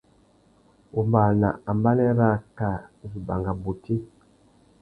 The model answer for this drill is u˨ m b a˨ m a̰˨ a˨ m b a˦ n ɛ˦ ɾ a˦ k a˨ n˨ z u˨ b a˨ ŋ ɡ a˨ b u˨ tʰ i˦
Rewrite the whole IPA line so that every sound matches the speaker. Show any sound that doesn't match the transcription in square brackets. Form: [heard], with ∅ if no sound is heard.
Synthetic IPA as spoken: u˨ m b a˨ [n] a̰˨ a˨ m b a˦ n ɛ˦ ɾ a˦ k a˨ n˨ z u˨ b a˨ ŋ ɡ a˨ b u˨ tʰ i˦